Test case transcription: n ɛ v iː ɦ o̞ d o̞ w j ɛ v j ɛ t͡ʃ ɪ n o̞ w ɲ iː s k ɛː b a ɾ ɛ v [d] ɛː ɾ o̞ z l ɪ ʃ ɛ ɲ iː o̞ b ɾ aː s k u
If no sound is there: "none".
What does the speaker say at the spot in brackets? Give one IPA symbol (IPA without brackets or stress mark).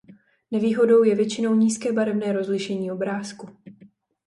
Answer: n